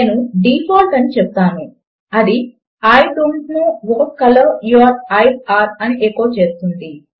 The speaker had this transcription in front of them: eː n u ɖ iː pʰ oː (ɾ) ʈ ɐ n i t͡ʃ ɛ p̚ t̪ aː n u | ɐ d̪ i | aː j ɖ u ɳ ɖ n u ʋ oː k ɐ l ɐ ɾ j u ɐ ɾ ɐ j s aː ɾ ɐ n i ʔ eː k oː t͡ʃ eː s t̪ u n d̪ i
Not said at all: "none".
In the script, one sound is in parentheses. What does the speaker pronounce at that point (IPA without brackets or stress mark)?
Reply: l